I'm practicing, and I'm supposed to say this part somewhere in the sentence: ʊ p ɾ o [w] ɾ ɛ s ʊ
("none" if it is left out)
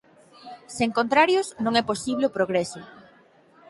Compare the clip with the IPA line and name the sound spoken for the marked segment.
ɣ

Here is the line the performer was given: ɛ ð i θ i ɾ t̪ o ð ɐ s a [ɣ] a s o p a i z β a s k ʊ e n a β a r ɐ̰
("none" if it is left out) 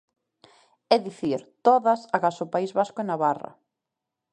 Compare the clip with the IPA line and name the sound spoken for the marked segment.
ɣ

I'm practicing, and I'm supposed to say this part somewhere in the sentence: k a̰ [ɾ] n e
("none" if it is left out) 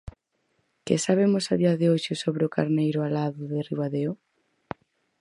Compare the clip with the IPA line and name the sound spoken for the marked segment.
ɾ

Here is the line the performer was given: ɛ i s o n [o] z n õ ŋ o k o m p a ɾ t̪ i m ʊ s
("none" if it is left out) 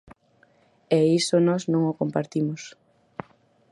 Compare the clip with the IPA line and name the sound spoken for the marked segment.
ɔ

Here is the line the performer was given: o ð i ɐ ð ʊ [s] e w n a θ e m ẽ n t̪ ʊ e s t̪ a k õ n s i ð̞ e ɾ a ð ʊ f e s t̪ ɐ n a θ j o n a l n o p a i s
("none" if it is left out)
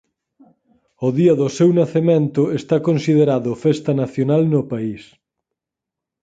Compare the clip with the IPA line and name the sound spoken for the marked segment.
s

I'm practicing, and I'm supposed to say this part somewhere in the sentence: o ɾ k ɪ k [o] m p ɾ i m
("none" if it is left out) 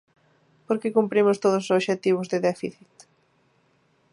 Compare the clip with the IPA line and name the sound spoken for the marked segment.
u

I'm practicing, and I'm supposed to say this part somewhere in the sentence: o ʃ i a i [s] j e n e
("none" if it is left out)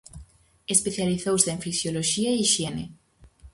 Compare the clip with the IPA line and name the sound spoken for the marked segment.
ʃ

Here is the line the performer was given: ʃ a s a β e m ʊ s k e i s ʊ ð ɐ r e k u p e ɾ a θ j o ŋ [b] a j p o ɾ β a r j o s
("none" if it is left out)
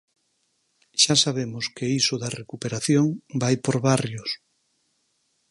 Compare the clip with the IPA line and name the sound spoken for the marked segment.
b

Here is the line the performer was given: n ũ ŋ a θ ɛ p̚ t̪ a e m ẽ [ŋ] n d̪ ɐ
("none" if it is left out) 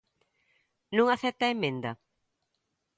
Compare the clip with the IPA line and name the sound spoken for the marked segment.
none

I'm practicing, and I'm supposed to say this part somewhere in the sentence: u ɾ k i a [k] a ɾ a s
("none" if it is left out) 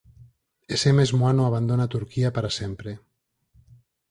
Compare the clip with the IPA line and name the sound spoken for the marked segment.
p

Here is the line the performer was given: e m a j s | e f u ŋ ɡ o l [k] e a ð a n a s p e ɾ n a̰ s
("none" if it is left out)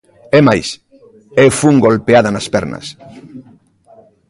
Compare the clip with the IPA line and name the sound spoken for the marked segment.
p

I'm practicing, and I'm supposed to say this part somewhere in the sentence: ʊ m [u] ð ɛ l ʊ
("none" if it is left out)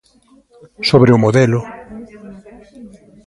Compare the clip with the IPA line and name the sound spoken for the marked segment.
o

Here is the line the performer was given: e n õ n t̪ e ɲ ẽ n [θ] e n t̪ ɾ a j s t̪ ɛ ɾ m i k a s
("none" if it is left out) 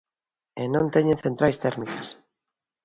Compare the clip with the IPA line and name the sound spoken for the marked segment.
θ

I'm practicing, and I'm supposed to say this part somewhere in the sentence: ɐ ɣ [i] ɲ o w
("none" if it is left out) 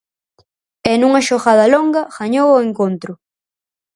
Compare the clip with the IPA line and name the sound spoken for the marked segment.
a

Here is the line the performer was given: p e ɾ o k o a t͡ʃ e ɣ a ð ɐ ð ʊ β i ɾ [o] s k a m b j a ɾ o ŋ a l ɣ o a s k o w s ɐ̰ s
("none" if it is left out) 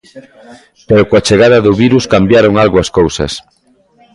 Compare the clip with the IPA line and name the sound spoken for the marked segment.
u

